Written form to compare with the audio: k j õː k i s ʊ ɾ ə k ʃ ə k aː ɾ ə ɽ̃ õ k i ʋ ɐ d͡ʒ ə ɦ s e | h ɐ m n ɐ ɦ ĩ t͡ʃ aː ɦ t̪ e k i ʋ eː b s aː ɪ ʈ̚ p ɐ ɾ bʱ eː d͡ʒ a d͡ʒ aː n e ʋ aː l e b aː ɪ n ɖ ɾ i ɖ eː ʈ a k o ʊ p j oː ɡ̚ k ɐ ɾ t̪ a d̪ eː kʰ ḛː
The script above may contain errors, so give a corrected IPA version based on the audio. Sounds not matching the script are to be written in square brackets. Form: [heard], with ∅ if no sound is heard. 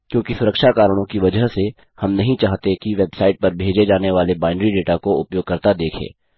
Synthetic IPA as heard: k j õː k i s ʊ ɾ ə k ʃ [a] k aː ɾ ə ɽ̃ õ k i ʋ ɐ d͡ʒ ə ɦ s e | h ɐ m n ɐ ɦ ĩ t͡ʃ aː ɦ t̪ e k i ʋ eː b s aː ɪ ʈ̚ p ɐ ɾ bʱ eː d͡ʒ [e] d͡ʒ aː n e ʋ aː l e b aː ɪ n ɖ ɾ i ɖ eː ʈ a k o ʊ p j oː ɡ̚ k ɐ ɾ t̪ a d̪ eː kʰ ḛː